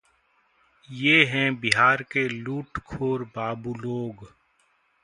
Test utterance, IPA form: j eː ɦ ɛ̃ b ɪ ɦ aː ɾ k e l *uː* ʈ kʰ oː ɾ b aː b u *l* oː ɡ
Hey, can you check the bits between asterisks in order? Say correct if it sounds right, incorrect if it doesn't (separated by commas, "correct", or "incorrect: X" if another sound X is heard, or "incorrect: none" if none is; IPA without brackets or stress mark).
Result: correct, correct